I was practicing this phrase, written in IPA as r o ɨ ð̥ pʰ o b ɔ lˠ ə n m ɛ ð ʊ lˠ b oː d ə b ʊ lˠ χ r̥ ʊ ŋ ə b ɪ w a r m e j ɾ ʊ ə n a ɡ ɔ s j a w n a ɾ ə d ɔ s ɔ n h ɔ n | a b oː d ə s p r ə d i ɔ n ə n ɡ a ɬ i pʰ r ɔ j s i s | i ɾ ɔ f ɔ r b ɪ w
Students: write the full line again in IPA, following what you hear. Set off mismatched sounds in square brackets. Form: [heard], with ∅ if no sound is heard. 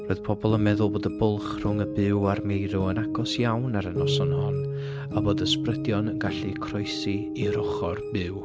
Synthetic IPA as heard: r o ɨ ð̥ pʰ [ɔ] b ɔ lˠ ə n m ɛ ð ʊ lˠ b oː d ə b ʊ lˠ χ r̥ ʊ ŋ ə b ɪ w a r m e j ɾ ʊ ə n a ɡ ɔ s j a w n a ɾ ə [n] ɔ s ɔ n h ɔ n | a b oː d ə s p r ə d [j] ɔ n ə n ɡ a ɬ i [kʰ] r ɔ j s i [∅] | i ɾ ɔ [χ] ɔ r b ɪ w